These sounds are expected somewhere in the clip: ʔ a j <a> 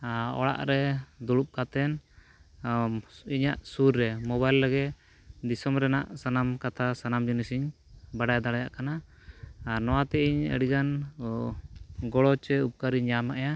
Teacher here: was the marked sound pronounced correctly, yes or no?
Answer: yes